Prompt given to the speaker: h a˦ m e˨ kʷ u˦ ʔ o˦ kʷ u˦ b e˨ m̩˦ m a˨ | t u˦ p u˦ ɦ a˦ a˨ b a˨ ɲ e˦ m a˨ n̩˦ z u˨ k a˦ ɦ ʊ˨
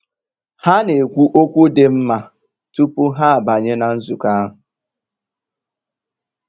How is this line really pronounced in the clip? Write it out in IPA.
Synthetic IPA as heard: h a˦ n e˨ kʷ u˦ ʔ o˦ kʷ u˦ d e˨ m̩˦ m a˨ | t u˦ p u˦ ɦ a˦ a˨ b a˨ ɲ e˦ n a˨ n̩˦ z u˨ k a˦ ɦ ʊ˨